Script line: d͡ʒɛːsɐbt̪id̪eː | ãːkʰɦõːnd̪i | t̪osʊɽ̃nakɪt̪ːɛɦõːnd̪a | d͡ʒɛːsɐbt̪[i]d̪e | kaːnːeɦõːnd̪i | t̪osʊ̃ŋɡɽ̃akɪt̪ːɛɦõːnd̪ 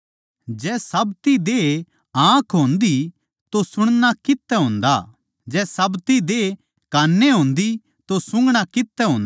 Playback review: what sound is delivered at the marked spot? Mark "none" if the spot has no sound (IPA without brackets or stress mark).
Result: i